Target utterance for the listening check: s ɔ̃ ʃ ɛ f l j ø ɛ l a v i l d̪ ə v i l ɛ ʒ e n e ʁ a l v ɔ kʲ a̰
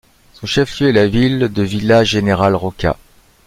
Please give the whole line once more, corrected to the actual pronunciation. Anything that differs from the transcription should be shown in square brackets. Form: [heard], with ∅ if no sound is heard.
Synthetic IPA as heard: s ɔ̃ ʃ ɛ f l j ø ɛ l a v i l d̪ ə v i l [a] ʒ e n e ʁ a l [ʁ] ɔ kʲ a̰